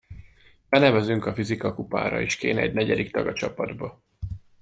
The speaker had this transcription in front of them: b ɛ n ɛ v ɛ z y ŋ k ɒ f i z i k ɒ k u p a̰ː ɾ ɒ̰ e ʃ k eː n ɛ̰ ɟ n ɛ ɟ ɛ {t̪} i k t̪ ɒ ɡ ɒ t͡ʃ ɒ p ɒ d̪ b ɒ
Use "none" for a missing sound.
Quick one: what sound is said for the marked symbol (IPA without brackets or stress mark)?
d̪